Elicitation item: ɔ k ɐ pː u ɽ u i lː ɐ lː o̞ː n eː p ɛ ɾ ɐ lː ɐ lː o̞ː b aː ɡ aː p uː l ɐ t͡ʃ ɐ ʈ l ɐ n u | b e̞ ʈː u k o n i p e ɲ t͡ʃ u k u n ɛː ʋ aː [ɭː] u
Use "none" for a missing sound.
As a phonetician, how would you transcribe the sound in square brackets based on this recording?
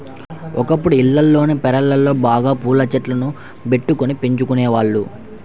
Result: ɭː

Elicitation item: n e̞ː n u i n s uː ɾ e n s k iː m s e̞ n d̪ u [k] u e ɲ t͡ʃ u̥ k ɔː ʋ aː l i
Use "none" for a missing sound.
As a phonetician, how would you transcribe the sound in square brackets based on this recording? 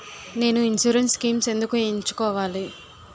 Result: k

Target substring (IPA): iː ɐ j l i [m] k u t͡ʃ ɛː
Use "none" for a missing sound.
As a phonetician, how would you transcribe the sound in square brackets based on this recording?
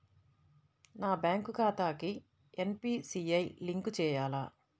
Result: ŋ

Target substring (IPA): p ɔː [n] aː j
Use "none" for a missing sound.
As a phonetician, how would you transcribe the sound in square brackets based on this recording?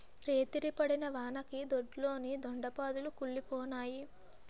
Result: n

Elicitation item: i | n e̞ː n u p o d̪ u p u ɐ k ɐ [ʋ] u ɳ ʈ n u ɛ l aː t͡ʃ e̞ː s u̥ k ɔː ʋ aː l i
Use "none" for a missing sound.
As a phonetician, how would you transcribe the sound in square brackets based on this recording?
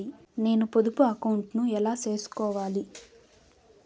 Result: w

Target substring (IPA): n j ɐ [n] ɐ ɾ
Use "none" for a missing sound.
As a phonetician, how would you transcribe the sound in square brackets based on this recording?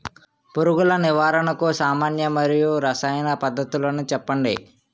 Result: m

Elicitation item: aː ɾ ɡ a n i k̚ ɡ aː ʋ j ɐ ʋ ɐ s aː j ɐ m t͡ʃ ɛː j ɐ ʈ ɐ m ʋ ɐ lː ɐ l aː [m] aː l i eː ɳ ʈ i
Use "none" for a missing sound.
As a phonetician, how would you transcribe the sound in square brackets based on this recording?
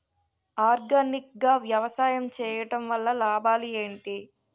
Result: b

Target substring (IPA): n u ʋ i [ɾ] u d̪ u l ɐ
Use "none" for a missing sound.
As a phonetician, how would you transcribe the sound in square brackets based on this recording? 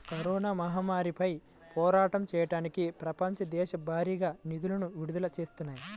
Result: ɽ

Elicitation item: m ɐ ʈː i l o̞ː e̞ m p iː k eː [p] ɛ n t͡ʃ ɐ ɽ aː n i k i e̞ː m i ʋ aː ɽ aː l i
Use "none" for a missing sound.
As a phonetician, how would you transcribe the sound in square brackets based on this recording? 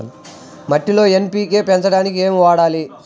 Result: p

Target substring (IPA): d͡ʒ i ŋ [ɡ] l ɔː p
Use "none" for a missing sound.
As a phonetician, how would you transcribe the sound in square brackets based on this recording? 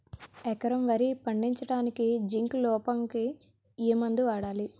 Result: k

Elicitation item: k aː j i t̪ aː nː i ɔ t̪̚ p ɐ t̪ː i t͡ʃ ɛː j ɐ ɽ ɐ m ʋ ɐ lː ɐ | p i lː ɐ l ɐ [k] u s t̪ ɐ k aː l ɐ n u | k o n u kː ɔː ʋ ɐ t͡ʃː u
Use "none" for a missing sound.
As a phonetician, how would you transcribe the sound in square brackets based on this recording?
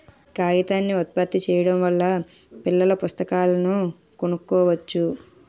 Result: p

